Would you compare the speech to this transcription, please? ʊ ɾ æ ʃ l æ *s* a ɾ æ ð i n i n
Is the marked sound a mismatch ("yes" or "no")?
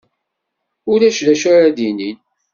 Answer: yes